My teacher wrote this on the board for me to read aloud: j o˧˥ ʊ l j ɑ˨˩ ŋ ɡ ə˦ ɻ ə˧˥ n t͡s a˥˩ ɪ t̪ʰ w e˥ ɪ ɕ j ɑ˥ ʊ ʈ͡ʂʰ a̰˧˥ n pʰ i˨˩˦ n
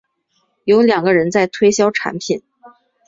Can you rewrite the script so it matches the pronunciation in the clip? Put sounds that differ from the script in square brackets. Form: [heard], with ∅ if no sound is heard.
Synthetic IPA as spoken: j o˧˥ ʊ l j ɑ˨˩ ŋ ɡ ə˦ ɻ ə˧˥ n t͡s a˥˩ ɪ t̪ʰ w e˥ ɪ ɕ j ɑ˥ ʊ ʈ͡ʂʰ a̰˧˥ n pʰ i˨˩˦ n